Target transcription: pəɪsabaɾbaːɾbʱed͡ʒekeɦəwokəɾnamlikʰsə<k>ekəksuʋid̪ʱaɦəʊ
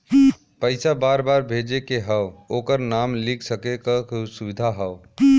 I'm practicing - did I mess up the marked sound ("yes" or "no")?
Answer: no